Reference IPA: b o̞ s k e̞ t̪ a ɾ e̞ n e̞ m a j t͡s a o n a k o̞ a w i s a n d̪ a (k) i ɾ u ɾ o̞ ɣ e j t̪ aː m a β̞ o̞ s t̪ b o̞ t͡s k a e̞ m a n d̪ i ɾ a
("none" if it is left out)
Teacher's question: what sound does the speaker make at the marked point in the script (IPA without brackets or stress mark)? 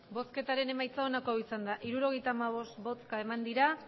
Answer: ʔ